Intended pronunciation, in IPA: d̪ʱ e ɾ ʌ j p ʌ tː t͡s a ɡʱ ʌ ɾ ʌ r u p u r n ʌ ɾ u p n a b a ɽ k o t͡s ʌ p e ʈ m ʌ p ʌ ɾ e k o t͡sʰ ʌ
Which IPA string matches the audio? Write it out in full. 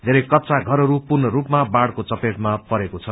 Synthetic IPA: d̪ʱ e ɾ ʌ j k ʌ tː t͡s a ɡʱ ʌ ɾ ʌ ɾ u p u r n ʌ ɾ u p m a b a ɽ k o t͡s ʌ p e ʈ m a p ʌ ɾ e k o t͡sʰ ʌ